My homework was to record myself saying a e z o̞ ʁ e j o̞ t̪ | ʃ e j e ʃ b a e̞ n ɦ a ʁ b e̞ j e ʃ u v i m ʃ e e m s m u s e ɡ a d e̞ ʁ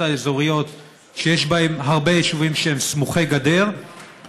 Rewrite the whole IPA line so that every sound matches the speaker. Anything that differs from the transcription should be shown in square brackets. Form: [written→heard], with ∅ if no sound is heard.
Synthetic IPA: a e z o̞ ʁ [e→i] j o̞ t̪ | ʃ e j e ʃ b a e̞ [n→m] ɦ a ʁ b e̞ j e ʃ u v i m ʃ e e m s m u [s→χ] e ɡ a d e̞ ʁ

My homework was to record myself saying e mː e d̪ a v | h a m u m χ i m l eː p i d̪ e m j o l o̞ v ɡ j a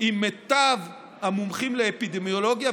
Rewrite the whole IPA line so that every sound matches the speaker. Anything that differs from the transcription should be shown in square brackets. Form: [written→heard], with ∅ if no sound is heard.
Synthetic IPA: [e→i] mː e [d̪→t̪] a v | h a m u m χ i m l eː p i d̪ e m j o l o̞ [v→∅] ɡ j a

